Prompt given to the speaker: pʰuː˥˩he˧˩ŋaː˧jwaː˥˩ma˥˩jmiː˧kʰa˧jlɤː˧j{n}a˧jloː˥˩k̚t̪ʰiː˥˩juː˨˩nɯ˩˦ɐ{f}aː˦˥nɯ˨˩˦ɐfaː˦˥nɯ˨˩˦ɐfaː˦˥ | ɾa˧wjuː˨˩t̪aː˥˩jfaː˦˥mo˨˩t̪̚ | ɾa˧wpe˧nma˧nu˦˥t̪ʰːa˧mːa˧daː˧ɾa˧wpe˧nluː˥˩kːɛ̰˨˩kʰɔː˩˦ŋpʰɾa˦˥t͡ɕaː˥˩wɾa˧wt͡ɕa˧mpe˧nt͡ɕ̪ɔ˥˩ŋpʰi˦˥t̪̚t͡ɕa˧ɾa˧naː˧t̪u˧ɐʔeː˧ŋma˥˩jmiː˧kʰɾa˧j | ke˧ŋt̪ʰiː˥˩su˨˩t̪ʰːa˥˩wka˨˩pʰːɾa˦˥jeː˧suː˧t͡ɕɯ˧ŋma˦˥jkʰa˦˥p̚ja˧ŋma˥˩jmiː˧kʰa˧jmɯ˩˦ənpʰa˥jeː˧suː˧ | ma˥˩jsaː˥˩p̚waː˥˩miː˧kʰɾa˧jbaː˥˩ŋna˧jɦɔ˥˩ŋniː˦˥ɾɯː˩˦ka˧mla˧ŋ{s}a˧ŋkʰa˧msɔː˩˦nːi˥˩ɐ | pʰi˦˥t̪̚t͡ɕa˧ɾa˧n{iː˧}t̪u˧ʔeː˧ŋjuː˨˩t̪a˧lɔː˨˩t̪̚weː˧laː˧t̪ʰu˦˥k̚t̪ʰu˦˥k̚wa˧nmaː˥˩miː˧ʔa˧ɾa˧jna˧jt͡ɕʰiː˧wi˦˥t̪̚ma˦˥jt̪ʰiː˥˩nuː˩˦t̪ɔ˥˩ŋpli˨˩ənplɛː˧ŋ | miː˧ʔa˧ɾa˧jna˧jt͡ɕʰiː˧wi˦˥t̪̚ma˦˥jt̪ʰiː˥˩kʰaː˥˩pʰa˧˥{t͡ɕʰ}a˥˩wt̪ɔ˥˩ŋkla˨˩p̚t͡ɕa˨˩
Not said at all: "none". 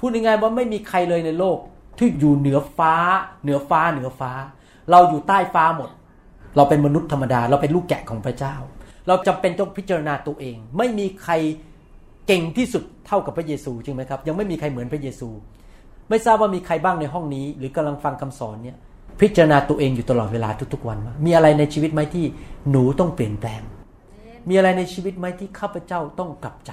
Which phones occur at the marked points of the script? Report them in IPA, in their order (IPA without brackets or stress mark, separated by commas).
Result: n, f, f, aː˧, t͡ɕ